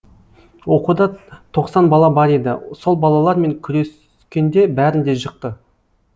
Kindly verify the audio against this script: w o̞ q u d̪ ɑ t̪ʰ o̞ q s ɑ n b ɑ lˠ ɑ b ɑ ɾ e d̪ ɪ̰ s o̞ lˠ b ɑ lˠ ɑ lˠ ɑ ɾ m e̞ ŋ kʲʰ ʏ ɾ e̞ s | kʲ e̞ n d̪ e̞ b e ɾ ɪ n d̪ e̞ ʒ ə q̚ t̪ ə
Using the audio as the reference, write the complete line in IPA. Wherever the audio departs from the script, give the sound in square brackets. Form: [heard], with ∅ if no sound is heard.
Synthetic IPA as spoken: w o̞ q u d̪ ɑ t̪ʰ o̞ q s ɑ n b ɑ lˠ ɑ b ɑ ɾ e d̪ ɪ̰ s o̞ lˠ b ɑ lˠ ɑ lˠ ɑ ɾ m e̞ ŋ kʲʰ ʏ ɾ e̞ s | kʲ e̞ n d̪ e̞ b [æ] ɾ ɪ n d̪ e̞ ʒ ə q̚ t̪ ə